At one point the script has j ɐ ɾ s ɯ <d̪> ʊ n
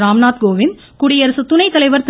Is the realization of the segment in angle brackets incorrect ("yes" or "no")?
yes